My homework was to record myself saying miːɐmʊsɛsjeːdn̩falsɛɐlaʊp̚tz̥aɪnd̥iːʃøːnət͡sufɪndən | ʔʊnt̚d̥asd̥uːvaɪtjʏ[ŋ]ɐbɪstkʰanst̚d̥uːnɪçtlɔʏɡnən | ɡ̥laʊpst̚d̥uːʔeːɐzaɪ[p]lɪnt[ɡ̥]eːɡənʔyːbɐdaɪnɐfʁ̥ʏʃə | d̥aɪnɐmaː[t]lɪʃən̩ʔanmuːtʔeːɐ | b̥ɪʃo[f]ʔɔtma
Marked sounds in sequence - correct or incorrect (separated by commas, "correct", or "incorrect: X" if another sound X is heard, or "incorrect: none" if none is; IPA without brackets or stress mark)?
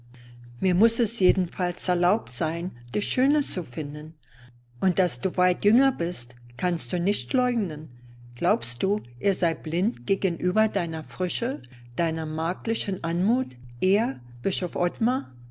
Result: correct, incorrect: b, correct, incorrect: k, correct